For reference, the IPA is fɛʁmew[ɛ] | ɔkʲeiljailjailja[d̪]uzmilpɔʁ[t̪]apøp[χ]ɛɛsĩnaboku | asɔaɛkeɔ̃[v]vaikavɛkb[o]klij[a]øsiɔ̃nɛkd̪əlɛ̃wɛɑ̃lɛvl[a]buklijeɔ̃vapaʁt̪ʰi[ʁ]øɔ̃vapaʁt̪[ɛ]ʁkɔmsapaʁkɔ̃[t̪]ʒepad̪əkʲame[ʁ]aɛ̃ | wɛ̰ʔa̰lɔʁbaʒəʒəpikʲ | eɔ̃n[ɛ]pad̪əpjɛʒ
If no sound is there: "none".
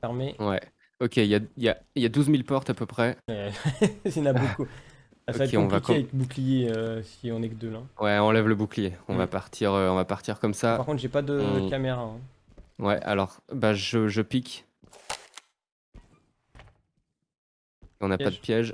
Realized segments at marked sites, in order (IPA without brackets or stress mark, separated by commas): ɛ, d̪, t̪, χ, v, u, e, ə, ʁ, i, t̪, ʁ, a